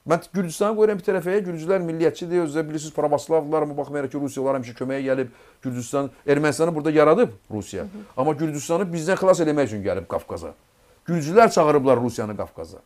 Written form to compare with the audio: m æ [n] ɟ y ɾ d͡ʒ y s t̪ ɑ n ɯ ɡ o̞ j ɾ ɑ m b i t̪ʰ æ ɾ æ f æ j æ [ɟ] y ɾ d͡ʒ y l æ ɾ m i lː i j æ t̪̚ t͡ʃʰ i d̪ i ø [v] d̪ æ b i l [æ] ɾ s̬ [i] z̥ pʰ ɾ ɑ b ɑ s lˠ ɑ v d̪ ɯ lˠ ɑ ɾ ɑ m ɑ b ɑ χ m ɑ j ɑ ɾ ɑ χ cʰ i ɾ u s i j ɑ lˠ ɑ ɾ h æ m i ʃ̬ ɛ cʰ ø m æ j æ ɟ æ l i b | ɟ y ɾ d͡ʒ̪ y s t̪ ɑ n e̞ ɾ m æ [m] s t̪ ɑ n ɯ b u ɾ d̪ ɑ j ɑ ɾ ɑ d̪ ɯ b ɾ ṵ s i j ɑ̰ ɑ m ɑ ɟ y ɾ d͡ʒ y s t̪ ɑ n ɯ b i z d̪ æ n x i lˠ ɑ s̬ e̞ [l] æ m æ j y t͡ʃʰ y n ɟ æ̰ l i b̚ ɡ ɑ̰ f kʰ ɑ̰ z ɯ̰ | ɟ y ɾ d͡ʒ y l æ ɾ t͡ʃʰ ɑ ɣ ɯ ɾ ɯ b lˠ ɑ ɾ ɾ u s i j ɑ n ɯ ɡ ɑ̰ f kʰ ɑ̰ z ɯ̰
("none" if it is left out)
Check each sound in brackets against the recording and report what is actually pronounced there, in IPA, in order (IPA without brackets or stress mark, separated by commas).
n, ɟ, z, i, i, n, l